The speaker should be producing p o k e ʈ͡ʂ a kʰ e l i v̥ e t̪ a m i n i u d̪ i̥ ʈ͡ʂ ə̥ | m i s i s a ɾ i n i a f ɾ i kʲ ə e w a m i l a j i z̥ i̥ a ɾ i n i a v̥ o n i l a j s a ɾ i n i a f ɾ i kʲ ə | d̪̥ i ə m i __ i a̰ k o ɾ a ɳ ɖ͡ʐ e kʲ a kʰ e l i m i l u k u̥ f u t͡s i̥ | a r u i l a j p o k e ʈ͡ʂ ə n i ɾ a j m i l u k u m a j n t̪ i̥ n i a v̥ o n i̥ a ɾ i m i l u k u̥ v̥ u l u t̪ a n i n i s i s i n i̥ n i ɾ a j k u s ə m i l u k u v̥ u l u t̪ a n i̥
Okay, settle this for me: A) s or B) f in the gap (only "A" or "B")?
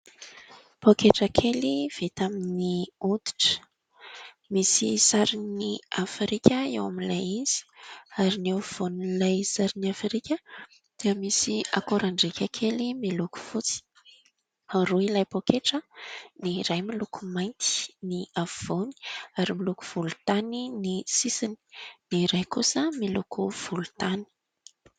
A